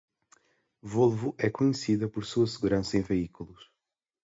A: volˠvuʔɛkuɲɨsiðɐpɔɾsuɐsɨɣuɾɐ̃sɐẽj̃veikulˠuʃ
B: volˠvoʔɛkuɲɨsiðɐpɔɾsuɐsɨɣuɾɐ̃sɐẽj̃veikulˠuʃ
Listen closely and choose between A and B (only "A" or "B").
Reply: A